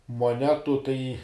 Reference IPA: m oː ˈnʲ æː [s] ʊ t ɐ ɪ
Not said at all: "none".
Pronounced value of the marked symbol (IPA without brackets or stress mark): t